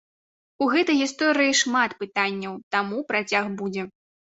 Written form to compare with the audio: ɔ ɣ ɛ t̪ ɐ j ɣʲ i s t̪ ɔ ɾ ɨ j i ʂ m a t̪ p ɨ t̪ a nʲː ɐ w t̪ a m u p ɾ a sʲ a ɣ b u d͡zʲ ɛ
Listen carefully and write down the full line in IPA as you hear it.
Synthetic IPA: u ɣ ɛ t̪ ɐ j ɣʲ i s t̪ ɔ ɾ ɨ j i ʂ m a t̪ p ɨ t̪ a nʲː ɐ w t̪ a m u p ɾ a t͡sʲ a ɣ b u d͡zʲ ɛ